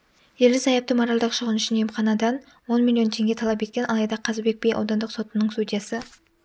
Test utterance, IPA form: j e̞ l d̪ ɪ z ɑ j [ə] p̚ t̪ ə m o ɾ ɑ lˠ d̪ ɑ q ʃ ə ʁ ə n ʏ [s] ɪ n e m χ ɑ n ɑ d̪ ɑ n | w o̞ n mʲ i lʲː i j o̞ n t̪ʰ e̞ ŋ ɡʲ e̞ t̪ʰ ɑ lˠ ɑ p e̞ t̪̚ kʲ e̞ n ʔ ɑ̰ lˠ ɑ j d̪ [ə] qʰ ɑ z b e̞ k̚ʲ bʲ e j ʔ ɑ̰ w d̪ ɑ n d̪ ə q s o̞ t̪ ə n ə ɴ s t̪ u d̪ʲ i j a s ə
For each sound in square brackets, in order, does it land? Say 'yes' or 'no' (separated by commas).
no, no, no